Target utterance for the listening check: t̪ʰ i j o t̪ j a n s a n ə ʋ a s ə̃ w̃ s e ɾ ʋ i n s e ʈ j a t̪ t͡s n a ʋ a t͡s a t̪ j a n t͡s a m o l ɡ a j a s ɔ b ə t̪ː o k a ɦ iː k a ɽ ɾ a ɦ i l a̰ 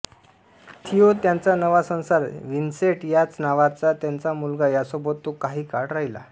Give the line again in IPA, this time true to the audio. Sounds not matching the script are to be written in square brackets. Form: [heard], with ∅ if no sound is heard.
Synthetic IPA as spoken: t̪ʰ i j o t̪ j a n [t͡s] a n ə ʋ a s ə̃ w̃ s [a] ɾ ʋ i n s e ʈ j a [∅] t͡s n a ʋ a t͡s a t̪ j a n t͡s a m [u] l ɡ a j a s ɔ b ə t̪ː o k a ɦ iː k a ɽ ɾ a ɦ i l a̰

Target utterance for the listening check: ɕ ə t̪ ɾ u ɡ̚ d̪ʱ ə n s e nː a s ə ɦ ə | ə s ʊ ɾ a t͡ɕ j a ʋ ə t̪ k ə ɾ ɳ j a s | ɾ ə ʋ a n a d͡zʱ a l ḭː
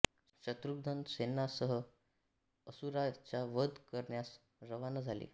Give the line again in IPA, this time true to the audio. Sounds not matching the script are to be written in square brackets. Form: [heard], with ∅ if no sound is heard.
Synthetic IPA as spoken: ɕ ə t̪ ɾ u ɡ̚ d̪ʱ ə n s e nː a s ə ɦ ə | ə s [u] ɾ a t͡ɕ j a ʋ ə [d̪] k ə ɾ ɳ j a s | ɾ ə ʋ a n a d͡zʱ a l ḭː

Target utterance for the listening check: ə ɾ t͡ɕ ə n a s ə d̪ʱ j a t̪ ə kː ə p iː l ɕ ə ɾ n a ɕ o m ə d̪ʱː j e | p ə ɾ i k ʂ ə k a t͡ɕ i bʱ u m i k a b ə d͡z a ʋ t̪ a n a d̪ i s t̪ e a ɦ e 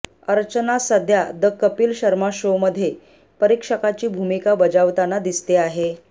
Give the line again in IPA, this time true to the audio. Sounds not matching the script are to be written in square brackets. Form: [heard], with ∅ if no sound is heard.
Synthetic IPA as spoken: ə ɾ t͡ɕ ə n a s ə d̪ʱ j a [d̪] ə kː ə p iː l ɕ ə ɾ [m] a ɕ o m ə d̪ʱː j e | p ə ɾ i k ʂ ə k a t͡ɕ [iː] bʱ u m i k a b ə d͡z a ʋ t̪ a n a d̪ i s t̪ e a ɦ e

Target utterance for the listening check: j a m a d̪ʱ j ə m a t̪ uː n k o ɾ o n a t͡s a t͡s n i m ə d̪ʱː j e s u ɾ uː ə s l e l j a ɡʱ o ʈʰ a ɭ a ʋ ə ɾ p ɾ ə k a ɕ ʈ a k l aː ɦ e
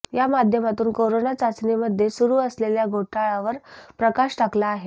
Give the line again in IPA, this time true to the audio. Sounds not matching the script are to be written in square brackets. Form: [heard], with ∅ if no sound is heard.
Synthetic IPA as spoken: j a m a d̪ʱ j ə m a t̪ uː n k o ɾ o n a t͡s a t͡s n i m ə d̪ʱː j e s u ɾ uː ə s l e l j a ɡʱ o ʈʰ a ɭ a ʋ ə ɾ p ɾ ə k a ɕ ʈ a k l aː ɦ e

